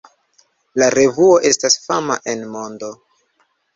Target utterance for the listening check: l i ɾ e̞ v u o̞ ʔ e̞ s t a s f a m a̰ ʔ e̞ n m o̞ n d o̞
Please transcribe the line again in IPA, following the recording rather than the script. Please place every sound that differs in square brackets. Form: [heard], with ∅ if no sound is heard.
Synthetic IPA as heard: l [a] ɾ e̞ v u o̞ ʔ e̞ s t a s f a m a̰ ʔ e̞ n m o̞ n d o̞